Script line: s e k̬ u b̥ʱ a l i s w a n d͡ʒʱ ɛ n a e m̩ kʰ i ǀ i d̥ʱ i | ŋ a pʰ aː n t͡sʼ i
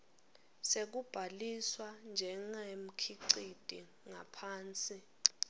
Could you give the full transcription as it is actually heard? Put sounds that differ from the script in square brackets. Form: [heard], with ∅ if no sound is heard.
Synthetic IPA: s e k̬ u b̥ʱ a l i s w a n d͡ʒʱ ɛ [ŋ] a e m̩ kʰ i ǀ i d̥ʱ i | ŋ a pʰ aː n t͡sʼ i